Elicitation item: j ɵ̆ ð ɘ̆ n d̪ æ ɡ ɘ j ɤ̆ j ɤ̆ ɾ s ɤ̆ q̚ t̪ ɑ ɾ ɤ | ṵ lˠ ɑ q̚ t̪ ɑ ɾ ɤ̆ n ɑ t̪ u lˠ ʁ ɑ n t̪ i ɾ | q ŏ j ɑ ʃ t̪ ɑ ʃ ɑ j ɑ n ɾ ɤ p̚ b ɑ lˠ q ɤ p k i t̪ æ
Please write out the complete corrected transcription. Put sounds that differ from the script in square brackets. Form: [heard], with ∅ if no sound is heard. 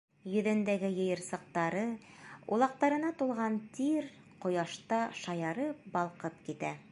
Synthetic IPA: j ɵ̆ ð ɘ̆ n d̪ æ ɡ ɘ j ɤ̆ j ɤ̆ ɾ s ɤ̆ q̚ t̪ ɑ ɾ ɤ | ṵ lˠ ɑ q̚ t̪ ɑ ɾ ɤ̆ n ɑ t̪ u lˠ ʁ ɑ n t̪ i ɾ | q ŏ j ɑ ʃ t̪ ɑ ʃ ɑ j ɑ [∅] ɾ ɤ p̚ b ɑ lˠ q ɤ p k i t̪ æ